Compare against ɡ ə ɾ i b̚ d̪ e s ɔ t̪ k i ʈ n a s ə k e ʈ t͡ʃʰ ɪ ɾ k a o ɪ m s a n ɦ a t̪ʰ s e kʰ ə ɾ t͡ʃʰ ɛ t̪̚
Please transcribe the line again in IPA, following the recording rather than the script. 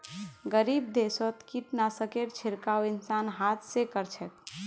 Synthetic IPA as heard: ɡ ə ɾ i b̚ d̪ e s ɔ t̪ k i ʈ n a s ə k e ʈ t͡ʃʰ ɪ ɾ k a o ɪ n s a n ɦ a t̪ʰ s e k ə ɾ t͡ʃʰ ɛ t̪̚